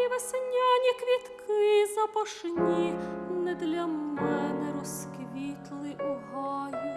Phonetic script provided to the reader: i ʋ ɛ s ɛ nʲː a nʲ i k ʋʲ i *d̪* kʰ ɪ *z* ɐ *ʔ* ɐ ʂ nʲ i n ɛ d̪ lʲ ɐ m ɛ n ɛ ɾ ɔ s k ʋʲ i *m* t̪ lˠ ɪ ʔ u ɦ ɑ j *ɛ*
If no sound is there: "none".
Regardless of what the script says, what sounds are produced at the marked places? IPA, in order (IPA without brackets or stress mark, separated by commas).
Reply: t̪, z, p, none, i